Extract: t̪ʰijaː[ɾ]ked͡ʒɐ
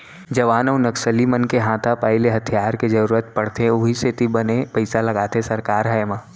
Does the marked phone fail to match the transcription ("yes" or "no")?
no